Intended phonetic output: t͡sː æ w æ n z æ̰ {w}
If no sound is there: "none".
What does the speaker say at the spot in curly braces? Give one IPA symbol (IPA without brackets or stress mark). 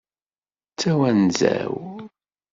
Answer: w